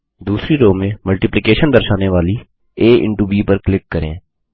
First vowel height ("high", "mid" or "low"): high